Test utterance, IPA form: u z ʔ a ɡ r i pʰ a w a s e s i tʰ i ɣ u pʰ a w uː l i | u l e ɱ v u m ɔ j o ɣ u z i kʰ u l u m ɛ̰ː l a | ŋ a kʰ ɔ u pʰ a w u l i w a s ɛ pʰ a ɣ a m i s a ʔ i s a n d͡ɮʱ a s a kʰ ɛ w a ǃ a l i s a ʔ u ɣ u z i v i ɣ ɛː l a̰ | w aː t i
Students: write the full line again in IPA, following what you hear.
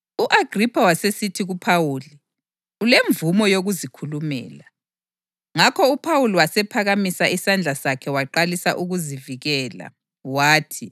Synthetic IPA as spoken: u ʔ a ɡ r i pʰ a w a s e s i tʰ i ɣ u pʰ a w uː l i | u l e ɱ v u m ɔ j o ɣ u z i kʰ u l u m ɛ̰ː l a | ŋ a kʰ ɔ u pʰ a w u l i w a s ɛ pʰ a ɣ a m i s a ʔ i s a n d͡ɮʱ a s a kʰ ɛ w a ǃ a l i s a ʔ u ɣ u z i v i ɣ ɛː l a̰ | w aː tʰ i